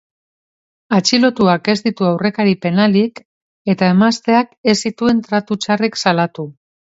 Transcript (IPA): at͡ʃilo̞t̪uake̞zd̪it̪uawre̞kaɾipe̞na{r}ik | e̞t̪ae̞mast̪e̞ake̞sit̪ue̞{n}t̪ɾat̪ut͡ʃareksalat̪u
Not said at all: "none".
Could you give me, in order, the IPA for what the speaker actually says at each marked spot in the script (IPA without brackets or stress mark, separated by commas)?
l, n